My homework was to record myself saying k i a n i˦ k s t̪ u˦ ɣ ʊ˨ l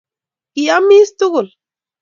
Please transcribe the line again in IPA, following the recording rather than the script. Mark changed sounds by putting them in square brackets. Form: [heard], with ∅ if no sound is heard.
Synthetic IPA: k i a [m] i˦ [∅] s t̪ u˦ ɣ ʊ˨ l

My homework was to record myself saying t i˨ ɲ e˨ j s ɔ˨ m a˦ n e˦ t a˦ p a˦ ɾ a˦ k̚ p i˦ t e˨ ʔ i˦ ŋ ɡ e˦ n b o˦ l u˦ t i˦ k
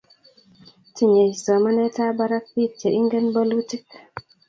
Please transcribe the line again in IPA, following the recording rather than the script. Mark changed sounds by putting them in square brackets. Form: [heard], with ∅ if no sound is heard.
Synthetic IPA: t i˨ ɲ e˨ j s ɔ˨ m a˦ n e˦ t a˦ [b] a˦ ɾ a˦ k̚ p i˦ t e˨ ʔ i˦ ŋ ɡ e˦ n b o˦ l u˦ t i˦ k

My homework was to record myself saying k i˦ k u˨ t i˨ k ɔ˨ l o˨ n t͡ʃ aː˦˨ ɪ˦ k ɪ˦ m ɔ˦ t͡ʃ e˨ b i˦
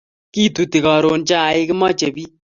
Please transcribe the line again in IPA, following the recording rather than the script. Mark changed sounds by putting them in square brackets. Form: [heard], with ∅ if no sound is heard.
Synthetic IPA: k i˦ [t] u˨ t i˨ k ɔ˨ [ɾ] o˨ n t͡ʃ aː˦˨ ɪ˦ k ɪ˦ m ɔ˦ t͡ʃ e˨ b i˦

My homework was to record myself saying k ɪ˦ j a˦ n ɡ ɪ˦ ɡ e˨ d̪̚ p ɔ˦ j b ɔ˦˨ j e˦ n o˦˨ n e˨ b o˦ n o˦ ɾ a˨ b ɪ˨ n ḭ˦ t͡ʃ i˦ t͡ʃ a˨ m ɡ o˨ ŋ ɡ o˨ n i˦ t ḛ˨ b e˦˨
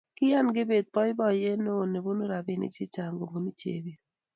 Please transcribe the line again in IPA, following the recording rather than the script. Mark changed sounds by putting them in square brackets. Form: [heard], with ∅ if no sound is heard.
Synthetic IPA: k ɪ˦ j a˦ n ɡ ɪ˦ [b] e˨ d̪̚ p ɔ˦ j b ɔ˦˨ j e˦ n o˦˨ n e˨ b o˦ n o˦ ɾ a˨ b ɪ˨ n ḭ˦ t͡ʃ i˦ t͡ʃ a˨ [ŋ] ɡ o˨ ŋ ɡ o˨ n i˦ [t͡ʃ] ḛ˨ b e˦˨

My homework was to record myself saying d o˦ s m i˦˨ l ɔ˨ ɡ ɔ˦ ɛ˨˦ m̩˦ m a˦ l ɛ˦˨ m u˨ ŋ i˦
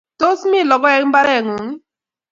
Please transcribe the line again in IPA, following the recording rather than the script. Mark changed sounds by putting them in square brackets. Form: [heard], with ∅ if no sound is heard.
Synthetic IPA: [t] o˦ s m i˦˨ l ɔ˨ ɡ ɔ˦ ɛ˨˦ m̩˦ [b] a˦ [ɾ] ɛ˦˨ [ŋ] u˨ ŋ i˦

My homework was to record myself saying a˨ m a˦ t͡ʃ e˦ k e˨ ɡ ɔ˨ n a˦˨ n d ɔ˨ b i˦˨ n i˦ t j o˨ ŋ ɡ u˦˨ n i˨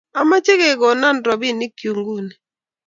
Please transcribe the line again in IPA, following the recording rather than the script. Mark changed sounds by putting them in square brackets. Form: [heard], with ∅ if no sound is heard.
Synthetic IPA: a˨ m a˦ t͡ʃ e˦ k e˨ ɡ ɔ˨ n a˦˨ n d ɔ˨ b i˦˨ n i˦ [k] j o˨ ŋ ɡ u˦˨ n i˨

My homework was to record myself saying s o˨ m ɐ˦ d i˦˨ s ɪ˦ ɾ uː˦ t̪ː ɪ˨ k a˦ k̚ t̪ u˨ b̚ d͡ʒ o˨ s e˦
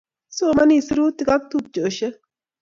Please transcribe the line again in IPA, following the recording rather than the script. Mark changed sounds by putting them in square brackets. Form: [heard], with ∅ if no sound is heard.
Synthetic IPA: s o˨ m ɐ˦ [n] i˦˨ s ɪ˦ ɾ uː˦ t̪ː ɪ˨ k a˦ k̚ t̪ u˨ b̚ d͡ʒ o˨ [ʃ] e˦

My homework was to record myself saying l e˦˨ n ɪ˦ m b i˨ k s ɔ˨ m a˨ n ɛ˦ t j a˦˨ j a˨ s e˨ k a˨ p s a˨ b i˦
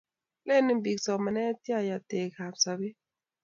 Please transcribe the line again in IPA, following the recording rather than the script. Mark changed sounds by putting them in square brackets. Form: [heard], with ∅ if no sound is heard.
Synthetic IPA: l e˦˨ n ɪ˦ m b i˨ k s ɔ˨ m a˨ n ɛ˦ t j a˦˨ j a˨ [t] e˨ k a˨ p s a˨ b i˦

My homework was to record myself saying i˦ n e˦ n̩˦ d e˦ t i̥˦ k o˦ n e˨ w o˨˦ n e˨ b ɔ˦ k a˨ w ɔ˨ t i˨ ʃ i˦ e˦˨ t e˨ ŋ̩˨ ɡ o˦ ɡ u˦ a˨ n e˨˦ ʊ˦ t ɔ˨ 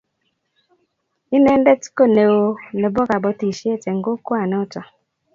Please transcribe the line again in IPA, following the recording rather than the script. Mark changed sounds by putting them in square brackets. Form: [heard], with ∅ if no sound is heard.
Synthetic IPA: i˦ n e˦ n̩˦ d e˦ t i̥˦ k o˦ n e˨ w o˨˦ n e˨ b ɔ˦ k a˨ [b] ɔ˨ t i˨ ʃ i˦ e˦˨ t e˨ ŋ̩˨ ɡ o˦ [k] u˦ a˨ n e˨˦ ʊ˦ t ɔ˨

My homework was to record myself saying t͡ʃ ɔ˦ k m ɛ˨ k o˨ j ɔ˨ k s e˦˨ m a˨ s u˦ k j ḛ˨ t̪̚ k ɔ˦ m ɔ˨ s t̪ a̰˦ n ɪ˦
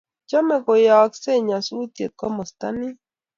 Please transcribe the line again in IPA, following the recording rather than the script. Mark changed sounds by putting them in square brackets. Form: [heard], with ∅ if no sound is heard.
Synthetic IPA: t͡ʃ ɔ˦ [∅] m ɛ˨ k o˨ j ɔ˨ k s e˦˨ [ɲ] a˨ s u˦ [t] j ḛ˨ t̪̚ k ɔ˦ m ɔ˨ s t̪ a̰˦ n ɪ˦

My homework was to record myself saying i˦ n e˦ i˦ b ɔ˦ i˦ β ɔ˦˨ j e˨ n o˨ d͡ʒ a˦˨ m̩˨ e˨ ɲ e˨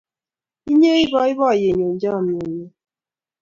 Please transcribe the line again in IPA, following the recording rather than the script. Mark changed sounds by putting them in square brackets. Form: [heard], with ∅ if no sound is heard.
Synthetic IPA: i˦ [ɲ] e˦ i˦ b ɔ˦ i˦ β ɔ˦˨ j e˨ [ɲ] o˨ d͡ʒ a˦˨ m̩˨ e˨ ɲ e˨

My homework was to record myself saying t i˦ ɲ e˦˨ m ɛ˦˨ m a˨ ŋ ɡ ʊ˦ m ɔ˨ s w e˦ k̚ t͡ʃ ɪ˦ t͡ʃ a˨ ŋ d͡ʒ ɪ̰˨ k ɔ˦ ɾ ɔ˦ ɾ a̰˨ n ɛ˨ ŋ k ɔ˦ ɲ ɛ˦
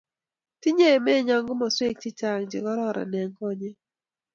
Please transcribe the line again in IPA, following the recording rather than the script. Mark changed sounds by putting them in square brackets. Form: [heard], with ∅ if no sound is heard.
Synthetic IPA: t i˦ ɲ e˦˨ m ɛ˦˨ [ɲ] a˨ ŋ ɡ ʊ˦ m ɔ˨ s w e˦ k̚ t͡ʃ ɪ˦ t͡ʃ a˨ ŋ d͡ʒ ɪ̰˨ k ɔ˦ ɾ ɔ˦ ɾ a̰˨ n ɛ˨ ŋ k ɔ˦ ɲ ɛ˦

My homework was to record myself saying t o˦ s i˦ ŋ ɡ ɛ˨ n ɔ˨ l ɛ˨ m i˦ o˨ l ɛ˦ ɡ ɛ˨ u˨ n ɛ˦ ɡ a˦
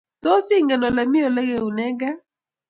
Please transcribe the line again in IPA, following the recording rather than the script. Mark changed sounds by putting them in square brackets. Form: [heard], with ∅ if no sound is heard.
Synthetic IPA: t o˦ s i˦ ŋ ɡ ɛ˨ n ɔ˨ l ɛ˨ m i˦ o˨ l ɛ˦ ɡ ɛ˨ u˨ n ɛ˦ ɡ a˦

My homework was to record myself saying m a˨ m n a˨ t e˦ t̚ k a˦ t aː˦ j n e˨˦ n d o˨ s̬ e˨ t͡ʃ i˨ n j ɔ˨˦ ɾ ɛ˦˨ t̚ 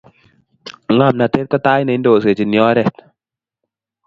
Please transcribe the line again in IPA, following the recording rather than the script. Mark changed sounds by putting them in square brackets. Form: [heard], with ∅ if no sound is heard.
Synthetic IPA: [ŋ] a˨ m n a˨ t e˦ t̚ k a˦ t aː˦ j n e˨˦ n d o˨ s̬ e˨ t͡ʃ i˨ n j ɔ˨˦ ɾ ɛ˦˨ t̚

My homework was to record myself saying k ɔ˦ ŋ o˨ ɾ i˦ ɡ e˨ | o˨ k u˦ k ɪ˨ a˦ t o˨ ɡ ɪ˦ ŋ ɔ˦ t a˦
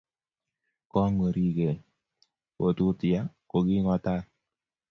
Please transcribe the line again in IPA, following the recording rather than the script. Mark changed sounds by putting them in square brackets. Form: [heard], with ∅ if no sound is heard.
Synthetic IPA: k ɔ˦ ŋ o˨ ɾ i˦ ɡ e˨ | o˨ [t] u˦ [t] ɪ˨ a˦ [k] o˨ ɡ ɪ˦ ŋ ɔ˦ t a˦

